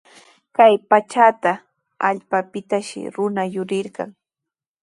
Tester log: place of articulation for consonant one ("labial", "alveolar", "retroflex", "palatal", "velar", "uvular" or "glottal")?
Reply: velar